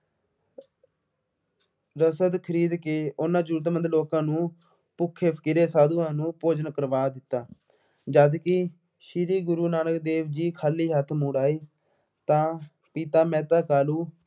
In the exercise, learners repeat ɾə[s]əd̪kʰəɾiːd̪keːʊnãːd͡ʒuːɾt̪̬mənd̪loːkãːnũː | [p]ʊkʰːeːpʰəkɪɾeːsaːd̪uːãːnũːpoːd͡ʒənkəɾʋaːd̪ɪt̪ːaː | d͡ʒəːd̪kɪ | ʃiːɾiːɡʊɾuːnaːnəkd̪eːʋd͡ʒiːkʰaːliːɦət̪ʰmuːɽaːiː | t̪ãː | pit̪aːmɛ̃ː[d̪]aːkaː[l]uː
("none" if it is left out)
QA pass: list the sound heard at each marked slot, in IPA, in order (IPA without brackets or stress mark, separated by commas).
s, p, t̪, l